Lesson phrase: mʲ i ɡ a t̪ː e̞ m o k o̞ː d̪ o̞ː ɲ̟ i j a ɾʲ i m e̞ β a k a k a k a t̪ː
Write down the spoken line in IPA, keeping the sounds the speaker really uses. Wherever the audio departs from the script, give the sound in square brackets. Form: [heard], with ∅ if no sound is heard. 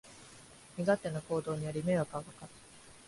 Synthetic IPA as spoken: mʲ i ɡ a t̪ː e̞ [n] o k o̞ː d̪ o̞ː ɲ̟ i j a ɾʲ i m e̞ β a k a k a k a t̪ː